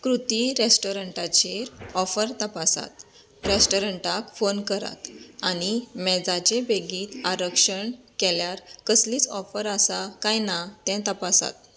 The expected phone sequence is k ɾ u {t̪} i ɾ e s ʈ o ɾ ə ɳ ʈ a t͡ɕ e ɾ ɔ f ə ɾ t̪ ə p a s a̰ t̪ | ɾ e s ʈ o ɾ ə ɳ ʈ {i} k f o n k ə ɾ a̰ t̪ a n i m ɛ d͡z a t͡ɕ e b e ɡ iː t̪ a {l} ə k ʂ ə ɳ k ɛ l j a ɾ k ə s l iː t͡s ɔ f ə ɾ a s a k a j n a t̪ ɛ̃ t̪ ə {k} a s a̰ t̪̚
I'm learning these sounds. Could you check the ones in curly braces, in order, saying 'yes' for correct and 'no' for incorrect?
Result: yes, no, no, no

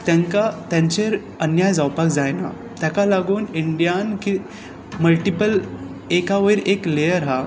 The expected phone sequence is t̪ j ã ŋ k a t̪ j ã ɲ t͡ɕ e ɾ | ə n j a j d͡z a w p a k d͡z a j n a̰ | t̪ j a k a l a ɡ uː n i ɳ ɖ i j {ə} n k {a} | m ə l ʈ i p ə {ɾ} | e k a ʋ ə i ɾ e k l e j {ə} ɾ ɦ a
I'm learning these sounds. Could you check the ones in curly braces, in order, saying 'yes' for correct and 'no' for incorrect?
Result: no, no, no, yes

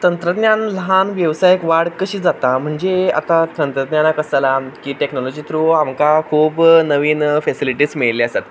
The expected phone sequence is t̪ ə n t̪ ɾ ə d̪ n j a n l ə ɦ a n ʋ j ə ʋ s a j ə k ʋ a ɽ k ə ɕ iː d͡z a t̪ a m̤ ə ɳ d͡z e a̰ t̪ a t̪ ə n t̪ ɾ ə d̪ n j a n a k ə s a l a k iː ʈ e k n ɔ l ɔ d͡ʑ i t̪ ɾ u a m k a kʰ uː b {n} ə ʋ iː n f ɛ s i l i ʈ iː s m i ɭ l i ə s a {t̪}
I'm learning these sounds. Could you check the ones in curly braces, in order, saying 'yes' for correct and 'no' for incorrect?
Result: yes, yes

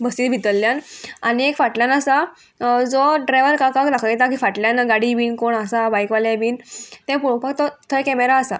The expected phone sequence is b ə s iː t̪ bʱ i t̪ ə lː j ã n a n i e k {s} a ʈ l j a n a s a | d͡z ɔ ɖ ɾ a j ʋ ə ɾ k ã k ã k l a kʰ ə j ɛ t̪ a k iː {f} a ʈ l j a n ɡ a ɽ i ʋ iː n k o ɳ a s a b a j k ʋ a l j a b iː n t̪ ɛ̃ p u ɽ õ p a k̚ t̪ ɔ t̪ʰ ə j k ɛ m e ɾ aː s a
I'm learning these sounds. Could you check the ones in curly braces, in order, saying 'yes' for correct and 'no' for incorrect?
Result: no, yes

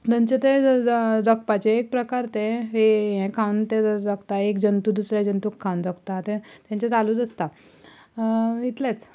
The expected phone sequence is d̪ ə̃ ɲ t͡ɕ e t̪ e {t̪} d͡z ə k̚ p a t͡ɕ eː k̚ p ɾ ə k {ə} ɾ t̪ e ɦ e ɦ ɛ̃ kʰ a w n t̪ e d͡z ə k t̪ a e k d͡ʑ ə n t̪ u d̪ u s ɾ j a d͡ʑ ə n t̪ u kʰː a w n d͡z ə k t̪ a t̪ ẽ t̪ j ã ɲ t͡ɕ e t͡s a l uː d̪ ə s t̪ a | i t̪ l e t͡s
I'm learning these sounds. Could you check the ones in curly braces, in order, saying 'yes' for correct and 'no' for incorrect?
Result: no, no

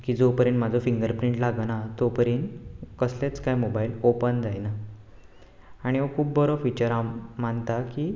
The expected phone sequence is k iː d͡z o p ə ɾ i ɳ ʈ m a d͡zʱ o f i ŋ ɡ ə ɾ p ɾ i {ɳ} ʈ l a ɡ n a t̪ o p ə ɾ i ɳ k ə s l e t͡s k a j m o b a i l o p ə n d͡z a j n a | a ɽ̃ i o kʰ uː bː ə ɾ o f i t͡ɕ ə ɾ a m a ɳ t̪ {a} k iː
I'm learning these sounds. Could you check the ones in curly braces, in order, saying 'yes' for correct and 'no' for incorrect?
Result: yes, yes

